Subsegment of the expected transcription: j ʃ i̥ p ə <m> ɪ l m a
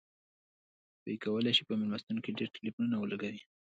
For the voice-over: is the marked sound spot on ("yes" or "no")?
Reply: yes